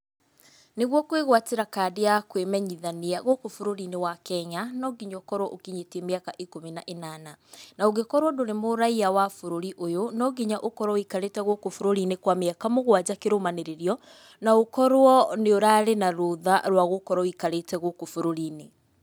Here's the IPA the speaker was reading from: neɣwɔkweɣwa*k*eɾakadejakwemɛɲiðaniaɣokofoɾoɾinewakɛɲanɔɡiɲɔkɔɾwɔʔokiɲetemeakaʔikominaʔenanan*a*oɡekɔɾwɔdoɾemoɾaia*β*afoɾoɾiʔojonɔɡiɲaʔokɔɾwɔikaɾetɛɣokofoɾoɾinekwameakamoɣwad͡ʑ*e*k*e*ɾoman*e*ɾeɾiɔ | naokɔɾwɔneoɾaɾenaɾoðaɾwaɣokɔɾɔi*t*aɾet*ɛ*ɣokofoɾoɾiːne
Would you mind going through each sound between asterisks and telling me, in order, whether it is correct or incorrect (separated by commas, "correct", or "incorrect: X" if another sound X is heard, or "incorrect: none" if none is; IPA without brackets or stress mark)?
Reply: incorrect: t, correct, incorrect: w, incorrect: a, correct, correct, incorrect: k, correct